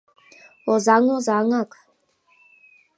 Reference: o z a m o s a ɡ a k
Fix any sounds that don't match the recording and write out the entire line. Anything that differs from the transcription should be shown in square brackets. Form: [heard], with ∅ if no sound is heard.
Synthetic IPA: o z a [ŋ] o [z] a [ŋ] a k